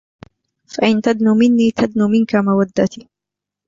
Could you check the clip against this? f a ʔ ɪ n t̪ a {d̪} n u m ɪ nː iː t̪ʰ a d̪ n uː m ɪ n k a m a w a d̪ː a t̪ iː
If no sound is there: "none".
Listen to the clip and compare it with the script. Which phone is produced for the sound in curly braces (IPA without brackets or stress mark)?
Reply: d̪